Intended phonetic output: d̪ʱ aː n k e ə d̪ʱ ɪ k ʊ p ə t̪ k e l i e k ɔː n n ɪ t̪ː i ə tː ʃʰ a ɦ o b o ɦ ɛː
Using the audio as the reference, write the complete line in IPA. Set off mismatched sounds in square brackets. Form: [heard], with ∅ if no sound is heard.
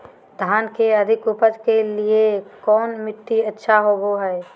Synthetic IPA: d̪ʱ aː n k e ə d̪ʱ ɪ k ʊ p ə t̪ k e l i e k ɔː n [m] ɪ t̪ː i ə tː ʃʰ a ɦ o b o ɦ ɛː